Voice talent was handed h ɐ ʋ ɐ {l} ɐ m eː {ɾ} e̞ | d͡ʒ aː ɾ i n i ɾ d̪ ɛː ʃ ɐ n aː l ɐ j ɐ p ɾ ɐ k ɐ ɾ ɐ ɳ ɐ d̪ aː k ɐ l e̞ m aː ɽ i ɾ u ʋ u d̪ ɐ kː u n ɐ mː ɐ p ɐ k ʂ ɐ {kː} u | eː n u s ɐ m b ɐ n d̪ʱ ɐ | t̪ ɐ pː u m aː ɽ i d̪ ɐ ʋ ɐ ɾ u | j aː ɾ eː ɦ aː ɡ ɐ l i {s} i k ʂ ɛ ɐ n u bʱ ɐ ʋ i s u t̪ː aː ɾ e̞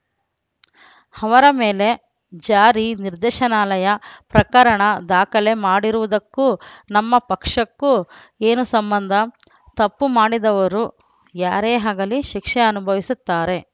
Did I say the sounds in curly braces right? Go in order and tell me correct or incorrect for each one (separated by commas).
incorrect, incorrect, correct, incorrect